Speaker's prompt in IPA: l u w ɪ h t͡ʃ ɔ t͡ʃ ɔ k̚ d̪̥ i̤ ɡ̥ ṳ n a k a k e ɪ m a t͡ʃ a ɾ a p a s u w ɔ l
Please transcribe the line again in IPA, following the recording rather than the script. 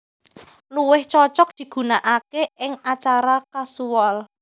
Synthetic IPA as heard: l u w ɪ h t͡ʃ ɔ t͡ʃ ɔ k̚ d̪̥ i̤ ɡ̥ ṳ n a ʔ a k e ɪ ŋ a t͡ʃ a ɾ a k a s u w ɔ l